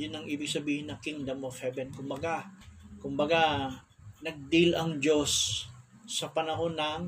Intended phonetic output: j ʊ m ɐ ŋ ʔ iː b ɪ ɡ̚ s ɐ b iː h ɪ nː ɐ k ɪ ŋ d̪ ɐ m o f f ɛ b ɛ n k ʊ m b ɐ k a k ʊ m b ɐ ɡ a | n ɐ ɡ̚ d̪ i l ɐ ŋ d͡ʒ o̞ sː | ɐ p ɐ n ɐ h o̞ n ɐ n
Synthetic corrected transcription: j ʊ n ɐ ŋ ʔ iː b ɪ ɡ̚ s ɐ b iː h ɪ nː ɐ k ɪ ŋ d̪ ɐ m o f h ɛ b ɛ n k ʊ m b ɐ ɡ a k ʊ m b ɐ ɡ a | n ɐ ɡ̚ d̪ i l ɐ ŋ d͡ʒ o̞ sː | ɐ p ɐ n ɐ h o̞ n ɐ ŋ